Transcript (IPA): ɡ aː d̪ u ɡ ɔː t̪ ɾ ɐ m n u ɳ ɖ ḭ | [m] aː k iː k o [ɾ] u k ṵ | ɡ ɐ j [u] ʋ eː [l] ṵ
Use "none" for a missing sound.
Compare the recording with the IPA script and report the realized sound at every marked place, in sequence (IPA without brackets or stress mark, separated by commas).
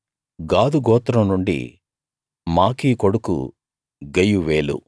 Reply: m, ɽ, u, l